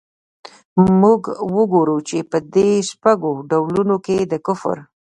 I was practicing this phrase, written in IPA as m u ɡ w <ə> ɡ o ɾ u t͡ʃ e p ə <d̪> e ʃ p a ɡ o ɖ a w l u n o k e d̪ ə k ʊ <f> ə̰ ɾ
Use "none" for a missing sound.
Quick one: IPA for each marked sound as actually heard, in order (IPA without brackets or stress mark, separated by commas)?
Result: ə, d̪, f